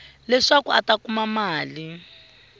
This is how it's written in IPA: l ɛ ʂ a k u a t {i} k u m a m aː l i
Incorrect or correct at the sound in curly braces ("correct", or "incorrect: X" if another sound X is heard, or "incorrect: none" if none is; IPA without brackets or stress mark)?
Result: incorrect: a